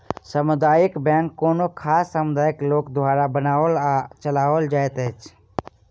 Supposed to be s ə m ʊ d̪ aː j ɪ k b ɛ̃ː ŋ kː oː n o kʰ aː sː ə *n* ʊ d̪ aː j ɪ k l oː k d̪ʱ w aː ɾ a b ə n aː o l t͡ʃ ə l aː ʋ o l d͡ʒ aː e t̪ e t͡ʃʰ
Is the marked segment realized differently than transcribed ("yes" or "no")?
yes